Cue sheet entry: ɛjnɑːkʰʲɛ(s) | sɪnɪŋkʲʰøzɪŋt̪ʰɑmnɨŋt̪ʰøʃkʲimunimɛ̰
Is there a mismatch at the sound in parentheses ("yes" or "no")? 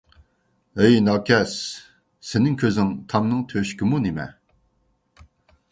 no